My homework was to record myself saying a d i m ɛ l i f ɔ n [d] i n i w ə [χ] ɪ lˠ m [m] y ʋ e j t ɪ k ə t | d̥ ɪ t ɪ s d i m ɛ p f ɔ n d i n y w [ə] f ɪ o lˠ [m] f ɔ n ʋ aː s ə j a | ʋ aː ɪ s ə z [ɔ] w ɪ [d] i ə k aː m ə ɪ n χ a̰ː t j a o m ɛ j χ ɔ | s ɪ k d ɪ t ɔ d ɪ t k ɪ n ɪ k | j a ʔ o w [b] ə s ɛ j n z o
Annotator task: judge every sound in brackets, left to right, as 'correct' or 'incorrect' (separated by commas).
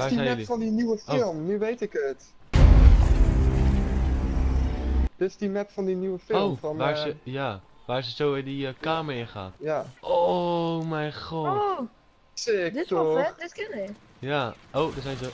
correct, incorrect, incorrect, correct, correct, incorrect, correct, incorrect